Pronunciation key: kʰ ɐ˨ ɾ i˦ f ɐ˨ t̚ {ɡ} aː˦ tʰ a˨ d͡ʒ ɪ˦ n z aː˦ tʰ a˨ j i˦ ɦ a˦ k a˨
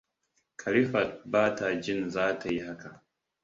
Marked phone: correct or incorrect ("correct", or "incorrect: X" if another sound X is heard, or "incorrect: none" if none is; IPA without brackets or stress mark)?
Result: incorrect: b